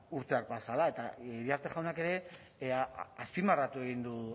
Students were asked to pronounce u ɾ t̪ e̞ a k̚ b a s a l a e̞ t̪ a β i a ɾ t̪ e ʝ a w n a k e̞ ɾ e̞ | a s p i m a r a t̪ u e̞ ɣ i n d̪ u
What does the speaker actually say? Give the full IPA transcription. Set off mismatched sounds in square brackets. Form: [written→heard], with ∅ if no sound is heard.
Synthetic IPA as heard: u ɾ t̪ e̞ a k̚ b a s a l a e̞ t̪ a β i a ɾ t̪ e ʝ a w n a k e̞ ɾ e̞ | a s p i m a r a t̪ u e̞ ɣ i n d̪ u